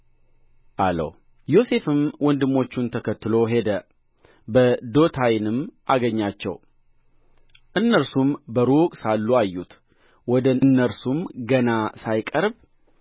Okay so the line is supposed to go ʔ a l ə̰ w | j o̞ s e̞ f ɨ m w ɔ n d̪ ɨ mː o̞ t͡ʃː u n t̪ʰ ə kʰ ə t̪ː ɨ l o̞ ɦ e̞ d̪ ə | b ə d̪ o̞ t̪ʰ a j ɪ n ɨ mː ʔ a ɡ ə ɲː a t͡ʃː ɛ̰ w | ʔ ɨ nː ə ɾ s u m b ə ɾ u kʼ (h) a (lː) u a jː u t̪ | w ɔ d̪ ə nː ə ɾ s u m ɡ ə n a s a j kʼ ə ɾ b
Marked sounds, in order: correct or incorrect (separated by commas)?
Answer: incorrect, correct